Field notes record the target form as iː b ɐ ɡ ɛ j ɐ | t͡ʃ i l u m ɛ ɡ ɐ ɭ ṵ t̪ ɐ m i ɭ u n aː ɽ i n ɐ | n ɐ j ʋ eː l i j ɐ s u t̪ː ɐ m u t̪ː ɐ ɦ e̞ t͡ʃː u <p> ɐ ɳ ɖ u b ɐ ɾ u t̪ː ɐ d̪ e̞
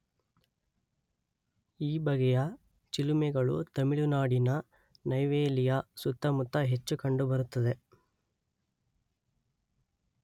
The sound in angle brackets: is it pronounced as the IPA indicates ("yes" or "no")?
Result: no